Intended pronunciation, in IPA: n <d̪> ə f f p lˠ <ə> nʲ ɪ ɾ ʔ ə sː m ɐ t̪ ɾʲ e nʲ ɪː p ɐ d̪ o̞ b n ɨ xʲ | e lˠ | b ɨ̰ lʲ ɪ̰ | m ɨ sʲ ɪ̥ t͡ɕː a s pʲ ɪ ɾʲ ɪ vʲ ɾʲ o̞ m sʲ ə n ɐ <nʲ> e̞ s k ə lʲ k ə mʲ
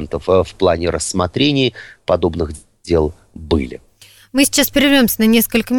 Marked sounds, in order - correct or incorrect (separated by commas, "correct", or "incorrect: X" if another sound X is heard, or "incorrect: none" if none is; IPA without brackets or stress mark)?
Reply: incorrect: t̪, incorrect: a, correct